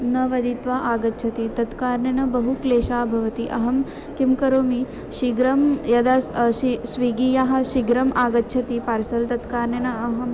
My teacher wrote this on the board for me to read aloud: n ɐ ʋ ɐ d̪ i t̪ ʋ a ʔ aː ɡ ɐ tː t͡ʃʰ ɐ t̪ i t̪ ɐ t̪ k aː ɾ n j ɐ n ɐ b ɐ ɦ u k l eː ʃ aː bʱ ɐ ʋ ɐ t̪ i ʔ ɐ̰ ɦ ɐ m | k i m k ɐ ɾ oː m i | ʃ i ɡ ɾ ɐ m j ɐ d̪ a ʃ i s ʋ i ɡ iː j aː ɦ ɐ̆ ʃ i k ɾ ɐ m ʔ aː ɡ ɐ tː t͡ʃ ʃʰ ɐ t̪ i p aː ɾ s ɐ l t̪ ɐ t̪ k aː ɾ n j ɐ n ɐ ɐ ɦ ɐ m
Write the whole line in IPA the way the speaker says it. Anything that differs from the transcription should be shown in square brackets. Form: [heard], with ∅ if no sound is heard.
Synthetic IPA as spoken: n ɐ ʋ ɐ d̪ i t̪ ʋ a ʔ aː ɡ ɐ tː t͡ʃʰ ɐ t̪ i t̪ ɐ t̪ k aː ɾ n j ɐ n ɐ b ɐ ɦ u k l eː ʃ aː bʱ ɐ ʋ ɐ t̪ i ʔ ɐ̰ ɦ ɐ m | k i m k ɐ ɾ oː m i | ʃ i ɡ ɾ ɐ m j ɐ d̪ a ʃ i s ʋ i ɡ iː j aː ɦ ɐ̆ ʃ i [ɡ] ɾ ɐ m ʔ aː ɡ ɐ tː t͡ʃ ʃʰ ɐ t̪ i p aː ɾ s ɐ l t̪ ɐ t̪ k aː ɾ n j ɐ n ɐ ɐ ɦ ɐ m

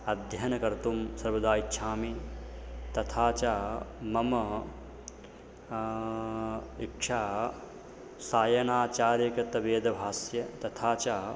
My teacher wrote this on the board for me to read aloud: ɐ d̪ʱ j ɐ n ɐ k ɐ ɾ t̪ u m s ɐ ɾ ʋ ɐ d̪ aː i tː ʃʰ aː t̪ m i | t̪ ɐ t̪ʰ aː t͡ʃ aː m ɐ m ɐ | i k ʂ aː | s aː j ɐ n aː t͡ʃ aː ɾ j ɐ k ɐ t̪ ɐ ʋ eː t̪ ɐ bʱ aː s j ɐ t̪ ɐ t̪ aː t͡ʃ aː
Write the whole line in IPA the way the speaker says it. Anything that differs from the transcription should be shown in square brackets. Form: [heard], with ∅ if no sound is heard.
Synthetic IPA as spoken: ɐ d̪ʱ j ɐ n ɐ k ɐ ɾ t̪ u m s ɐ ɾ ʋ ɐ d̪ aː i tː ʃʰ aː [∅] m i | t̪ ɐ t̪ʰ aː t͡ʃ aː m ɐ m ɐ | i k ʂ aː | s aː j ɐ n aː t͡ʃ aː ɾ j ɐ k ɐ t̪ ɐ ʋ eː [d̪] ɐ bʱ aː s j ɐ t̪ ɐ [t̪ʰ] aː t͡ʃ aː

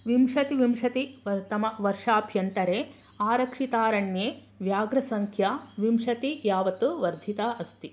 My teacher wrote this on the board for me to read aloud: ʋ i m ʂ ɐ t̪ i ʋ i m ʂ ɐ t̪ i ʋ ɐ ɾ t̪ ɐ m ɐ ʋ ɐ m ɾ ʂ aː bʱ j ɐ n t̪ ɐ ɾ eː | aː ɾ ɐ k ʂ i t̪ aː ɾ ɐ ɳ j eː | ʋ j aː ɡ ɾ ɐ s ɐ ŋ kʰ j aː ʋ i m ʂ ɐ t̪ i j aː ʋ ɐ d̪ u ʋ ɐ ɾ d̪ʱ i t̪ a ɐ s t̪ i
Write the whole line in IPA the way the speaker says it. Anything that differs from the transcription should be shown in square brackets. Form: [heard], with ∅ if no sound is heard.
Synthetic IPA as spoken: ʋ i m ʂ ɐ t̪ i ʋ i m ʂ ɐ t̪ i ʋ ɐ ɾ t̪ ɐ m ɐ ʋ ɐ [∅] ɾ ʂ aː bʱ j ɐ n t̪ ɐ ɾ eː | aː ɾ ɐ k ʂ i t̪ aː ɾ ɐ ɳ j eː | ʋ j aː ɡ ɾ ɐ s ɐ ŋ kʰ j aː ʋ i m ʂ ɐ t̪ i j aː ʋ ɐ [t̪] u ʋ ɐ ɾ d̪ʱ i t̪ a ɐ s t̪ i

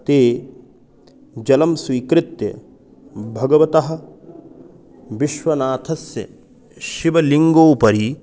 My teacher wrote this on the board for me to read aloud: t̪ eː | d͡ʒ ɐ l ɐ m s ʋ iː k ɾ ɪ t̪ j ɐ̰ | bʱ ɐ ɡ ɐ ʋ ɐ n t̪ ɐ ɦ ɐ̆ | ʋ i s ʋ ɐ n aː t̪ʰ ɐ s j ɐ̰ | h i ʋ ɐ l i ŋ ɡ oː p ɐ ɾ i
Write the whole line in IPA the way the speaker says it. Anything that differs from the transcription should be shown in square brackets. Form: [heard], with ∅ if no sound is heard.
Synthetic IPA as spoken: t̪ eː | d͡ʒ ɐ l ɐ m s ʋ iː k ɾ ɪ t̪ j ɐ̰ | bʱ ɐ ɡ ɐ ʋ ɐ [∅] t̪ ɐ ɦ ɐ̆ | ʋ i [ʃ] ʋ ɐ n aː t̪ʰ ɐ s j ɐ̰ | [ʃ] i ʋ ɐ l i ŋ ɡ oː p ɐ ɾ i

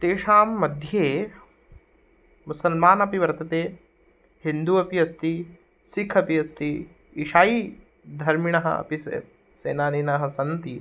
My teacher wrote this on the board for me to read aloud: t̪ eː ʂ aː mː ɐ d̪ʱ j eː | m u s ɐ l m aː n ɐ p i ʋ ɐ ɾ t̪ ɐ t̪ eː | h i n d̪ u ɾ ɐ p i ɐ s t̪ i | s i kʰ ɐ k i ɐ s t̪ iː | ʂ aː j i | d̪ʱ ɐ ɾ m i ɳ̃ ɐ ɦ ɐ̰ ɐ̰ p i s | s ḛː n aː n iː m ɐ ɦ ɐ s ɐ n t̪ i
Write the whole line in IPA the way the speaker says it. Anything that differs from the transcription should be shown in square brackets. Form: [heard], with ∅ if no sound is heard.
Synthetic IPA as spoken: t̪ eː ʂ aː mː ɐ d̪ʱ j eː | m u s ɐ l m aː n ɐ p i ʋ ɐ ɾ t̪ ɐ t̪ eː | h i n d̪ u [∅] ɐ p i ɐ s t̪ i | s i kʰ ɐ [p] i ɐ s t̪ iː | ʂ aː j i | d̪ʱ ɐ ɾ m i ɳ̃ ɐ ɦ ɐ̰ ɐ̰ p i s | s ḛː n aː n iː [n] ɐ ɦ ɐ s ɐ n t̪ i

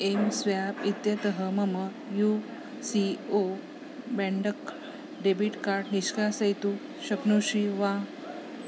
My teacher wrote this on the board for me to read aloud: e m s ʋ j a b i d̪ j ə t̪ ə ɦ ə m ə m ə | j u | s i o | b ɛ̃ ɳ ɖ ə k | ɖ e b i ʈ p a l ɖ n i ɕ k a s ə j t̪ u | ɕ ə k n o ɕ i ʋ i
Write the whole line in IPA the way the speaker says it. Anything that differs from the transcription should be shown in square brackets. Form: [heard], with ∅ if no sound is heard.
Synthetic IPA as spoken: e m s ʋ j a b i [t̪] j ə t̪ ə ɦ ə m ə m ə | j u | s i o | b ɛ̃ ɳ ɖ ə k | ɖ e b i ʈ [k] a [ɾ] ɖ n i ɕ k a s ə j t̪ u | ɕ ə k n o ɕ i ʋ [a]

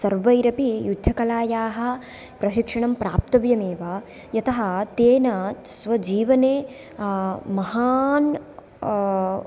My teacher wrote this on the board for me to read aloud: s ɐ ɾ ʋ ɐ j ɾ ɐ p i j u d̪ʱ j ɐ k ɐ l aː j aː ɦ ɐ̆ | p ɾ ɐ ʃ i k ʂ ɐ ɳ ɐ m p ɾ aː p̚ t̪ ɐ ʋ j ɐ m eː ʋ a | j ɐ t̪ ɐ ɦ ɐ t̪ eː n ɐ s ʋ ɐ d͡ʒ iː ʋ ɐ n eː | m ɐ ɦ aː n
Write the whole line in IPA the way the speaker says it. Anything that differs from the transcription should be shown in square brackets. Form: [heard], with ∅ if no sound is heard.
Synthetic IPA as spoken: s ɐ ɾ ʋ ɐ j ɾ ɐ p i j u d̪ʱ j ɐ k ɐ l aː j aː ɦ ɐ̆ | p ɾ ɐ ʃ i k ʂ ɐ ɳ ɐ m p ɾ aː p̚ t̪ ɐ ʋ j ɐ m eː ʋ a | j ɐ t̪ ɐ ɦ ɐ t̪ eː n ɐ s ʋ ɐ d͡ʒ iː ʋ ɐ n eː | m ɐ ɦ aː n

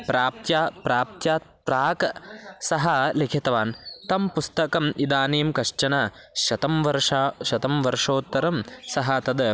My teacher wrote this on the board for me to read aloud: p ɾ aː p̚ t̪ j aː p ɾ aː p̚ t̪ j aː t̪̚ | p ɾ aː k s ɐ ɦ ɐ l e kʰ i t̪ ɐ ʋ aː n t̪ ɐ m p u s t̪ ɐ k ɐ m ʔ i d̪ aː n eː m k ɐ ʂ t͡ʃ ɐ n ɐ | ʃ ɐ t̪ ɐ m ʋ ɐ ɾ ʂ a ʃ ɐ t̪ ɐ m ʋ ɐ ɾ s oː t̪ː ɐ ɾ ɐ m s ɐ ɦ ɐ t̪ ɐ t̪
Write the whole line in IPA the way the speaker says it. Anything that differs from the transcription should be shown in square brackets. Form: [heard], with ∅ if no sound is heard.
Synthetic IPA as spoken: p ɾ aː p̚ t̪ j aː p ɾ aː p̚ t̪ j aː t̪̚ | p ɾ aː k s ɐ ɦ ɐ l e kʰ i t̪ ɐ ʋ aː n t̪ ɐ m p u s t̪ ɐ k ɐ m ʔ i d̪ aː n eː m k ɐ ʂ t͡ʃ ɐ n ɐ | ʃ ɐ t̪ ɐ m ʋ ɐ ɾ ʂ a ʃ ɐ t̪ ɐ m ʋ ɐ ɾ [ʂ] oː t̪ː ɐ ɾ ɐ m s ɐ ɦ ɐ t̪ ɐ [d̪]

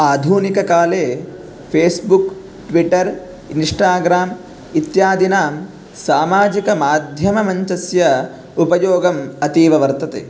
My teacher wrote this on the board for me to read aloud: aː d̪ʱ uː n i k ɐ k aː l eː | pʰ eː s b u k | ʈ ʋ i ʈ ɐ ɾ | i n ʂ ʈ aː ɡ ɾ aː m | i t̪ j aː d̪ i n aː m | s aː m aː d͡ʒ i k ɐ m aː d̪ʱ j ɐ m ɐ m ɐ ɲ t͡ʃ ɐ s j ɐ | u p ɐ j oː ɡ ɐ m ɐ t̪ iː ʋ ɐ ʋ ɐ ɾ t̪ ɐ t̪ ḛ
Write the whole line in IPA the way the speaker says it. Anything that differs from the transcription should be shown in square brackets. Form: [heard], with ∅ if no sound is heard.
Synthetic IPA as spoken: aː d̪ʱ uː n i k ɐ k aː l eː | pʰ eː s b u k | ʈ ʋ i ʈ ɐ ɾ | i n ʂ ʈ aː ɡ ɾ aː m | i t̪ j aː d̪ i n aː m | s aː m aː d͡ʒ i k ɐ m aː d̪ʱ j ɐ m ɐ m ɐ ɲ t͡ʃ ɐ s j ɐ | u p ɐ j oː ɡ ɐ m ɐ t̪ iː ʋ ɐ ʋ ɐ ɾ t̪ ɐ t̪ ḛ

